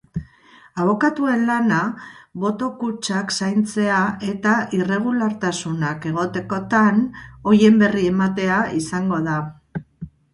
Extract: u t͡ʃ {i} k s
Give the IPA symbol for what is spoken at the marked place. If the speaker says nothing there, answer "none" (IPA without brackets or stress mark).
a